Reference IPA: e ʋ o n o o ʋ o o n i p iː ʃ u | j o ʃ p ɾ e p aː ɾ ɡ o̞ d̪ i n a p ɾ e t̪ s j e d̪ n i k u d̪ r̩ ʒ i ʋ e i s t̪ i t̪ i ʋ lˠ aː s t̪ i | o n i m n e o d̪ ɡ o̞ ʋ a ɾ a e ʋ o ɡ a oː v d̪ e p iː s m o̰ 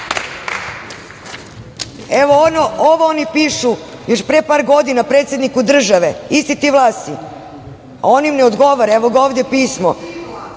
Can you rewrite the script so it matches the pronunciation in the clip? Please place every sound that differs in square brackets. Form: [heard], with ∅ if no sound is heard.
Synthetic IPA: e ʋ o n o o ʋ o o n i p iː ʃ u | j o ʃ p ɾ e p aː ɾ ɡ o̞ d̪ i n a p ɾ e t̪ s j e d̪ n i k u d̪ r̩ ʒ [a] ʋ e i s t̪ i t̪ i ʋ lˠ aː s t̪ i | o n i m n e o d̪ ɡ o̞ ʋ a ɾ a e ʋ o ɡ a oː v d̪ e p iː s m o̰